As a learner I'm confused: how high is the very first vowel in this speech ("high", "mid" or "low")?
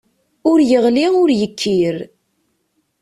high